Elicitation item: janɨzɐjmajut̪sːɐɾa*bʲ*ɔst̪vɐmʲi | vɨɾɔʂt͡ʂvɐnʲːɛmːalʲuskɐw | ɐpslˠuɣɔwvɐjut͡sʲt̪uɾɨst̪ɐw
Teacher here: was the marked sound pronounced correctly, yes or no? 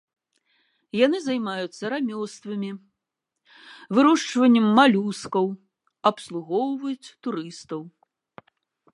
no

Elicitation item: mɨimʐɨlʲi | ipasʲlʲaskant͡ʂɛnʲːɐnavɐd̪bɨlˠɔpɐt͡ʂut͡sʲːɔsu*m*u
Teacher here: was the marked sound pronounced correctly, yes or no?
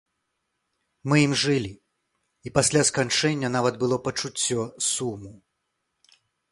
yes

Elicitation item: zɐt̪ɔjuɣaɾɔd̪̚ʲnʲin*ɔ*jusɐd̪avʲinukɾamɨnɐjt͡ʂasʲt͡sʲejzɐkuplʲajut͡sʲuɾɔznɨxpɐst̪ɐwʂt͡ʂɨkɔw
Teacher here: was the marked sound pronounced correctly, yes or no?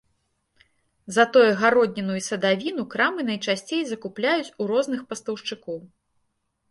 no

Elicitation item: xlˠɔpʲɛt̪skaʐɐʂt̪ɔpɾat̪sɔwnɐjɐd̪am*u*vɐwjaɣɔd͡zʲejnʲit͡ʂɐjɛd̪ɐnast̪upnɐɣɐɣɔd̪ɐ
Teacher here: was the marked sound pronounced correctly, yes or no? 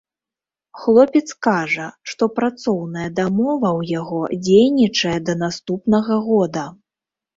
no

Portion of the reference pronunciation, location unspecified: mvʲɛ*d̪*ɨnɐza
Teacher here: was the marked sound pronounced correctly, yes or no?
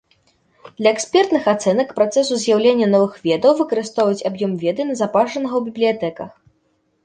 yes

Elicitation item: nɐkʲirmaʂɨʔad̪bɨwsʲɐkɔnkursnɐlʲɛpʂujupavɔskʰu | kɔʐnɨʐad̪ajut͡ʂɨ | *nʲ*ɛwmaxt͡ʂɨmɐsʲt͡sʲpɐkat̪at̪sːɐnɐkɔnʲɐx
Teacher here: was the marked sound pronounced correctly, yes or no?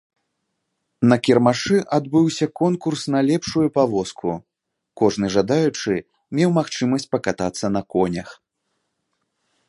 no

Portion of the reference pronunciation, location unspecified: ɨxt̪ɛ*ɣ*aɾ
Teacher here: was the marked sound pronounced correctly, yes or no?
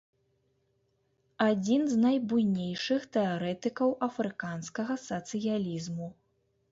no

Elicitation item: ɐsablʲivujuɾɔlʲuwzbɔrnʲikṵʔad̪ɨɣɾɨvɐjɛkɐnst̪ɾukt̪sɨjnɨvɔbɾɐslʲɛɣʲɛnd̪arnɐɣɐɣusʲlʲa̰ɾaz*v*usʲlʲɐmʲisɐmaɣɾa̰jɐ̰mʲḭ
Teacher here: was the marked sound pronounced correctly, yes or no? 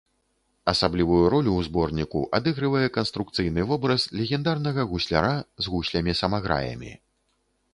no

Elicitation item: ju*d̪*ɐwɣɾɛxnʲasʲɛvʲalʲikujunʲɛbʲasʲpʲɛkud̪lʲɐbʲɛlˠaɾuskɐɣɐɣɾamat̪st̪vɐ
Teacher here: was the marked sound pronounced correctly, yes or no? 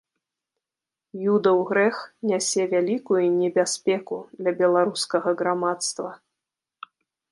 yes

